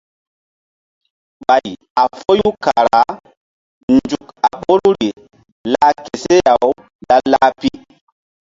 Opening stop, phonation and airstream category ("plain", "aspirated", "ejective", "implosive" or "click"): implosive